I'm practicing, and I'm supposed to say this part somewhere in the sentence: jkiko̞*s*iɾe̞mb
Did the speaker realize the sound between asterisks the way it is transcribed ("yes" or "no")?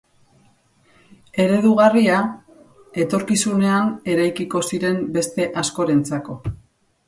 yes